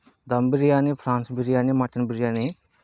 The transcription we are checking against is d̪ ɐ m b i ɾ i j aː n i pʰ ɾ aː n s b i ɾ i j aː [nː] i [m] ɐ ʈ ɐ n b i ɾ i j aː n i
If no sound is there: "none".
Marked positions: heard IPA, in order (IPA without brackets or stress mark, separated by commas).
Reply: n, m